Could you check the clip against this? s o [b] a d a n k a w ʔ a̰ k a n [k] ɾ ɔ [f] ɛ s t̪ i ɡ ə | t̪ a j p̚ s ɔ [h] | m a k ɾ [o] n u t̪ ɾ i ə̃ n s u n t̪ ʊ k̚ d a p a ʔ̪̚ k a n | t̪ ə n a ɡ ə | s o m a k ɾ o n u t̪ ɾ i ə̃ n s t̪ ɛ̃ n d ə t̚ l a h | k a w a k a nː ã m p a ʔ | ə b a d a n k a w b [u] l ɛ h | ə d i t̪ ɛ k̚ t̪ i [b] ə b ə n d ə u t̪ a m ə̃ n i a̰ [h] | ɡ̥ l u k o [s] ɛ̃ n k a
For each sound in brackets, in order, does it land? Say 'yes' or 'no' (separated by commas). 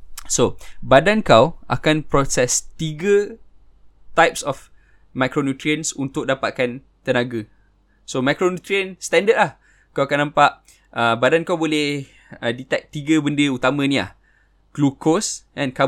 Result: yes, no, no, no, yes, no, no, yes, yes